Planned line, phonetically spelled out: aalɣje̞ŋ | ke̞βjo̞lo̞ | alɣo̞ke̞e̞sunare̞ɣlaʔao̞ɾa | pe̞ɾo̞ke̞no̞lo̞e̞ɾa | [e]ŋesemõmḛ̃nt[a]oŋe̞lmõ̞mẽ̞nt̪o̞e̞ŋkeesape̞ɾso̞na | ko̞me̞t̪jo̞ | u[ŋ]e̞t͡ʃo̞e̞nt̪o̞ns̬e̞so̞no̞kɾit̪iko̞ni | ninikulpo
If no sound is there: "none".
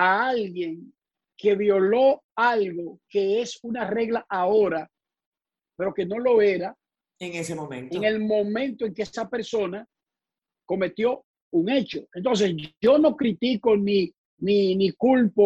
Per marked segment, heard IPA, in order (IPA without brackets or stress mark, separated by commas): e, e, ŋ